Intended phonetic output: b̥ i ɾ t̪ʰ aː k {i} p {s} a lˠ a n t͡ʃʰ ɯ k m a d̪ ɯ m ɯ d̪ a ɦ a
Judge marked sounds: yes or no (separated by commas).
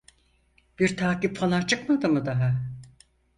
yes, no